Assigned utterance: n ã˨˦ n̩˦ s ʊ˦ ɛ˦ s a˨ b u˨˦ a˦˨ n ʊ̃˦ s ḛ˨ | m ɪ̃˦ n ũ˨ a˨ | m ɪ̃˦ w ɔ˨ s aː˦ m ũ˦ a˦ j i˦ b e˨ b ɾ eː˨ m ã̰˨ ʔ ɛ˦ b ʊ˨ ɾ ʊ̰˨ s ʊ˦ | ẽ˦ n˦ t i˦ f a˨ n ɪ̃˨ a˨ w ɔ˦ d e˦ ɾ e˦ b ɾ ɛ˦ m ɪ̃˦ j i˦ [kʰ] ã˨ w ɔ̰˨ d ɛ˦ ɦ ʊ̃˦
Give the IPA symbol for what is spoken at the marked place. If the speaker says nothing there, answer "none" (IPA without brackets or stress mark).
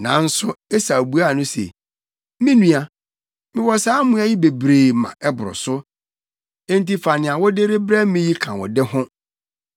kʰ